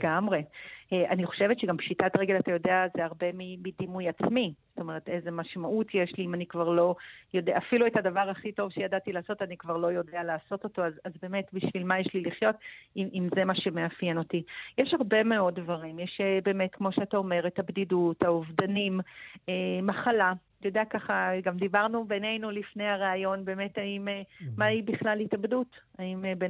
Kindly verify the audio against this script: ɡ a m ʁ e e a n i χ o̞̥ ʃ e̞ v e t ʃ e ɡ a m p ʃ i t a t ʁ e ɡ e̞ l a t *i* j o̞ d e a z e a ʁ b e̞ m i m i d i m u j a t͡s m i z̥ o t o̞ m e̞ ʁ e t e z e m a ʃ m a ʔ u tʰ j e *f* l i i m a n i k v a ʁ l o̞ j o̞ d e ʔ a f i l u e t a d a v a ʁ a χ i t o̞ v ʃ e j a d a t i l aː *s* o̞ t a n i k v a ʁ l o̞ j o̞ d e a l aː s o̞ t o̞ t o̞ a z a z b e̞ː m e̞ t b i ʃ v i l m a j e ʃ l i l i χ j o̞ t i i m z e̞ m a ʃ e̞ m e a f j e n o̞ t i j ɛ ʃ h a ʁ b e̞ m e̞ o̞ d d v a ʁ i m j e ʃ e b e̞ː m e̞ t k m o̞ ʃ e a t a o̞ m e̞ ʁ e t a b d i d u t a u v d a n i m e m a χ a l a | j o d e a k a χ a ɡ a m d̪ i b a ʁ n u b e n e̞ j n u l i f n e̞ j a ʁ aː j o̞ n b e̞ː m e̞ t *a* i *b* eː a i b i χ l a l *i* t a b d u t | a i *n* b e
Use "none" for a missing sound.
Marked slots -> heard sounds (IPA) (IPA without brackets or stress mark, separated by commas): a, ʃ, s, a, m, i, m